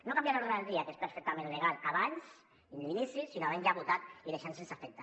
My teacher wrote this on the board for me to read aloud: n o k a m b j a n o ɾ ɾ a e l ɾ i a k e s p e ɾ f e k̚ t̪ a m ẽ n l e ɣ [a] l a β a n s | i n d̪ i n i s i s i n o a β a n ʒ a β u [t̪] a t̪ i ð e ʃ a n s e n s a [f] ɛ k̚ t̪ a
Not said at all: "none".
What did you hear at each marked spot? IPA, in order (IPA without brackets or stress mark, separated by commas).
a, t̪, f